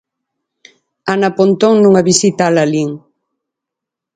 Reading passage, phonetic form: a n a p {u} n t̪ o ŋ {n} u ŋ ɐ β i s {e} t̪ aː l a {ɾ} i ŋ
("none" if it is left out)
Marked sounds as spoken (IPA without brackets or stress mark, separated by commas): o, n, i, l